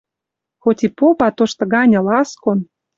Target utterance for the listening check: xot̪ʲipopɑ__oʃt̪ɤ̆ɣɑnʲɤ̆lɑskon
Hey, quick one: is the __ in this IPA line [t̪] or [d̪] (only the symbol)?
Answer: t̪